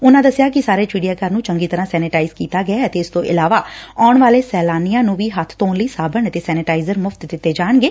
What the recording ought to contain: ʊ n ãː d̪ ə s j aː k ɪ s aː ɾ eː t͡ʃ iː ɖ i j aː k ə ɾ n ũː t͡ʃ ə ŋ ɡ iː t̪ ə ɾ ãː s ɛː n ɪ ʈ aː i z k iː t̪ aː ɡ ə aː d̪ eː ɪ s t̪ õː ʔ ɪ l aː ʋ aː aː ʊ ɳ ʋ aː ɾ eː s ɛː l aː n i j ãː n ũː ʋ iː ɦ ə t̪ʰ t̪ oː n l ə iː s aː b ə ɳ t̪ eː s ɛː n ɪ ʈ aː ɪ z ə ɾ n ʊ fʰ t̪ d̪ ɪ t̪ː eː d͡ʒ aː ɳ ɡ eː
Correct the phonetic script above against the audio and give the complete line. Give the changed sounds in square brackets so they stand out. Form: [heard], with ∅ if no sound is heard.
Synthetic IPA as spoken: ʊ n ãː d̪ ə s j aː k ɪ s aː ɾ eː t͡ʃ iː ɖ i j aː k ə ɾ n ũː t͡ʃ ə ŋ ɡ iː t̪ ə ɾ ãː s ɛː n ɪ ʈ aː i z k iː t̪ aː ɡ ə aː [t̪] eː ɪ s t̪ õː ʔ ɪ l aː ʋ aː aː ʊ ɳ ʋ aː [l] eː s ɛː l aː n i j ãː n ũː ʋ iː ɦ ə t̪ʰ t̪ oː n l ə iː s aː b ə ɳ t̪ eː s ɛː n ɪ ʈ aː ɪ z ə ɾ [m] ʊ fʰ t̪ d̪ ɪ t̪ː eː d͡ʒ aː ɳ ɡ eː